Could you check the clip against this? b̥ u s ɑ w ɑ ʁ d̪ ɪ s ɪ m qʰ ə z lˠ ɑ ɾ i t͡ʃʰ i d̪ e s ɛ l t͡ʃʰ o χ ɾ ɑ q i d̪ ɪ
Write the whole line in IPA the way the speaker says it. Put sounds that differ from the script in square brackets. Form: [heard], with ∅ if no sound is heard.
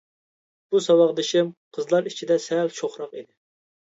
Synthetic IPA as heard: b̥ u s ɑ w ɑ ʁ d̪ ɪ [ʃ] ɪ m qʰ ə z lˠ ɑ ɾ i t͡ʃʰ i d̪ [ɛ] s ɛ l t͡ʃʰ o χ ɾ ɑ q i d̪ ɪ